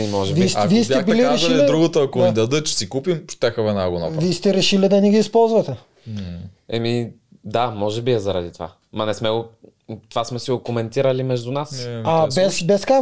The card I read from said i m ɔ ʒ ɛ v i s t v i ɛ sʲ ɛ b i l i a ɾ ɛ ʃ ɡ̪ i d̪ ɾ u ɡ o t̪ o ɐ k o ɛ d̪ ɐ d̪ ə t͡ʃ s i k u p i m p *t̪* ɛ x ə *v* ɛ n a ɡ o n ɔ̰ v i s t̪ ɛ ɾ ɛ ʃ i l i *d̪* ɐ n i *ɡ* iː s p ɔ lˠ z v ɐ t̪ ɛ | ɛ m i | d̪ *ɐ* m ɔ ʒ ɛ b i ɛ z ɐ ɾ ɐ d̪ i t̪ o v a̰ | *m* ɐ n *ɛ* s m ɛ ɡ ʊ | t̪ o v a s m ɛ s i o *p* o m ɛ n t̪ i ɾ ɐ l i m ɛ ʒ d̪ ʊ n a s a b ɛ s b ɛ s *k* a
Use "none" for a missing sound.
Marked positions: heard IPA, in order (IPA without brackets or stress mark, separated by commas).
t̪, v, d̪, ɡ, a, m, ɛ, k, k